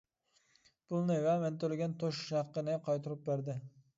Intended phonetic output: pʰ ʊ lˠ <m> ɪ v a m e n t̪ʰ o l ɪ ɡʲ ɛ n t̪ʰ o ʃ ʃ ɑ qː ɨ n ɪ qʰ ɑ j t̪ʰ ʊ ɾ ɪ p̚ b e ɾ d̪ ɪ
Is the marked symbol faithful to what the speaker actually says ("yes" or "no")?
no